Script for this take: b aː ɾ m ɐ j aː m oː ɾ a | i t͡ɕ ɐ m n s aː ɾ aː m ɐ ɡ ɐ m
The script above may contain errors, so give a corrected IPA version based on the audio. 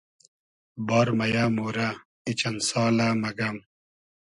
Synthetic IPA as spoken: b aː ɾ m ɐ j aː m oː ɾ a | i t͡ɕ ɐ n s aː l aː m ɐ ɡ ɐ m